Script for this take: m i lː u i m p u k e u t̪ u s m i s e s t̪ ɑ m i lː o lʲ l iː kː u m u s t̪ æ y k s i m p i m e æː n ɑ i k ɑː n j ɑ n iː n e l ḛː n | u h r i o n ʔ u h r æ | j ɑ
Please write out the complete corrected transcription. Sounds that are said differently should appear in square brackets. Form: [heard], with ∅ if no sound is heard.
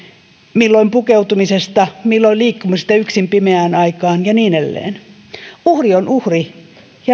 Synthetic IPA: m i lː [o] i m p u k e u t̪ u [∅] m i s e s t̪ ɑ m i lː o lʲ l iː kː u m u s t̪ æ y k s i m p i m e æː n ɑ i k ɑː n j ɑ n iː n e [lː] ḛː n | u h r i o n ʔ u h r [i] | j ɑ